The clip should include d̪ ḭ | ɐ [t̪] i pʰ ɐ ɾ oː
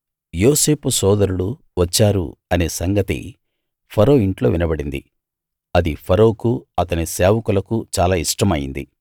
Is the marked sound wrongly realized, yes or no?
yes